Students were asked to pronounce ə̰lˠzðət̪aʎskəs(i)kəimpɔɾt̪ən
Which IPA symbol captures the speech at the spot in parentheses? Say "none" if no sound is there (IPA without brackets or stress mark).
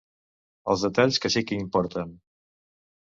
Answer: i